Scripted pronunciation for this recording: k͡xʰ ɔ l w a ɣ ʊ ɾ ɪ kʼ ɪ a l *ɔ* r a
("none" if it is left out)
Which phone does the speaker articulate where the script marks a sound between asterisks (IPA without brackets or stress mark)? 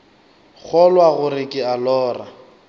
ɔː